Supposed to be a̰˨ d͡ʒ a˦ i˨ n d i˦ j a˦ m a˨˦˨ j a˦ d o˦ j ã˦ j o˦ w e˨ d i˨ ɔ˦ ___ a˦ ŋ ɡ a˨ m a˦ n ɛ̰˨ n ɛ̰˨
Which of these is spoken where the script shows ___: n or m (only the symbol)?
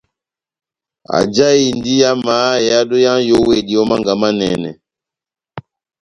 m